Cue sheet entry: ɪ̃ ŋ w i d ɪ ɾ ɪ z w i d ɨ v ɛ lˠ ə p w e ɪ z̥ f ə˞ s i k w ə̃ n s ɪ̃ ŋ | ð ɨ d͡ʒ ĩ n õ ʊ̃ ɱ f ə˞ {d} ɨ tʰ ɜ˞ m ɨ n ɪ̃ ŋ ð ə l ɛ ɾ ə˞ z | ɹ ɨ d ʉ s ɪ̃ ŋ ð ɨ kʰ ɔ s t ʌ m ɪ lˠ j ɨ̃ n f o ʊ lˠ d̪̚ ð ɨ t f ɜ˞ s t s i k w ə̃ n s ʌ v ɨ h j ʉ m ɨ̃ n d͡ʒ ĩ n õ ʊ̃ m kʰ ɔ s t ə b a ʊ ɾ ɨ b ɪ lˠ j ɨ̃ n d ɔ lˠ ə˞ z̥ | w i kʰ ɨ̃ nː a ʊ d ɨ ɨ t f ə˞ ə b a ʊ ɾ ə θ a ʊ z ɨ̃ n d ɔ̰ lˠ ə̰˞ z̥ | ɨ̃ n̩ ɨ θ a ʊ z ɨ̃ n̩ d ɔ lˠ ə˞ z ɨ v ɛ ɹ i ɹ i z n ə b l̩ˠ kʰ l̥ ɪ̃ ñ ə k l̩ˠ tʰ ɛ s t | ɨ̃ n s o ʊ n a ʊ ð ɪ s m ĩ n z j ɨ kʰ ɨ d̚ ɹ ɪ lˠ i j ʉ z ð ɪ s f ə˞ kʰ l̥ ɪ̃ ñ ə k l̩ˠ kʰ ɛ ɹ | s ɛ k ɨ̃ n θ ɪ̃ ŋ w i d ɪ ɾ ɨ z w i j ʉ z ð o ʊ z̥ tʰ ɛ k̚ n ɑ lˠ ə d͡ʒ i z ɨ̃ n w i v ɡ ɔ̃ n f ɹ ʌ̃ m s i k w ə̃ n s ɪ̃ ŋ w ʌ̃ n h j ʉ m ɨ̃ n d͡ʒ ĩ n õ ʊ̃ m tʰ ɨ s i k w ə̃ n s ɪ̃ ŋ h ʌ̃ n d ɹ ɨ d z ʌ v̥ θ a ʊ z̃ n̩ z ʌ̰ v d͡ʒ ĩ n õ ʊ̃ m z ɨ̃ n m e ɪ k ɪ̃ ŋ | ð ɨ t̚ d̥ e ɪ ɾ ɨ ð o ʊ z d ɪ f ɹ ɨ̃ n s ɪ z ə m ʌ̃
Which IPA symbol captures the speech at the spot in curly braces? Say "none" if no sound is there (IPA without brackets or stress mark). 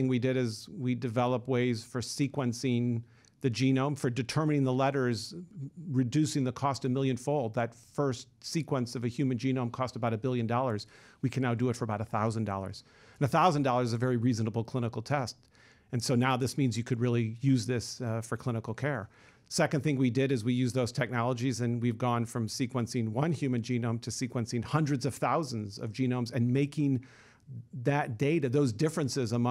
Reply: d